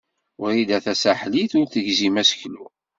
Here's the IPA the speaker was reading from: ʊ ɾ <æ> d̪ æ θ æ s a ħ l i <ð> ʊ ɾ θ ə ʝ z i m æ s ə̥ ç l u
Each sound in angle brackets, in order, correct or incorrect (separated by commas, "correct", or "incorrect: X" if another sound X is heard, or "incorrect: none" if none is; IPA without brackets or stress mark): incorrect: i, incorrect: θ